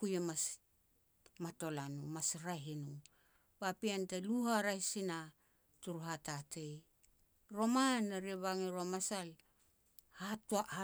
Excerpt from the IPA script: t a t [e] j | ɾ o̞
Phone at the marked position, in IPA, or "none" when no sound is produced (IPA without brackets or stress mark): e